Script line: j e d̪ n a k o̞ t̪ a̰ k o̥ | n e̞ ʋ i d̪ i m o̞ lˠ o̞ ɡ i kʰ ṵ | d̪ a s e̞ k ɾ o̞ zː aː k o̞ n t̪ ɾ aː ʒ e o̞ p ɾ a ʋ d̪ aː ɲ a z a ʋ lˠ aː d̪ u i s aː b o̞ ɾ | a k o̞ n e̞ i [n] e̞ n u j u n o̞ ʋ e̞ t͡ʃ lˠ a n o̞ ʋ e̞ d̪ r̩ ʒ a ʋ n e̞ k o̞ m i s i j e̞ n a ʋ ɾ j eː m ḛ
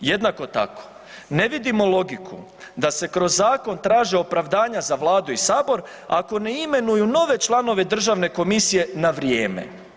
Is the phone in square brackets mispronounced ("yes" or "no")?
yes